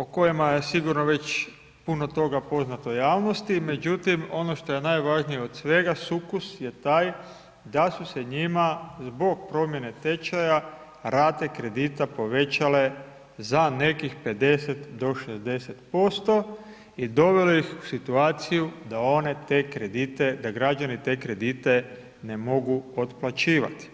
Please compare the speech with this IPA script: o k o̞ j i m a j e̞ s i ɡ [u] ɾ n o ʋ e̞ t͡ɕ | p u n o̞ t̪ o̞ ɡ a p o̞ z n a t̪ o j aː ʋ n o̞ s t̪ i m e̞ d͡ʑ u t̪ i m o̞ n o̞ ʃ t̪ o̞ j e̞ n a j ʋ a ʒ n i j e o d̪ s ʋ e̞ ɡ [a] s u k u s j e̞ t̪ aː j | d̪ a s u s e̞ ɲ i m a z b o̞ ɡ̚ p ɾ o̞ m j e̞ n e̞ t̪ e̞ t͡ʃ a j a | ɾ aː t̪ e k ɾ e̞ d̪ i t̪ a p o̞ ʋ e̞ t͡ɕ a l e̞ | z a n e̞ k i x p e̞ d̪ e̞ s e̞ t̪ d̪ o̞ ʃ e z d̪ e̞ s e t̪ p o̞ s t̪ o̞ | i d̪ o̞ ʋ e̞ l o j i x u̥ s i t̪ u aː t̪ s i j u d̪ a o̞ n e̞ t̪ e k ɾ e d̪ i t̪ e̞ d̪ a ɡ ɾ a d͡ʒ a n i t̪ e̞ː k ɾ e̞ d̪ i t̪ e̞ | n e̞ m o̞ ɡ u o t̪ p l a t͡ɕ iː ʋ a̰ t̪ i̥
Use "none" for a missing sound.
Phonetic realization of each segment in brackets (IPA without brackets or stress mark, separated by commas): u, a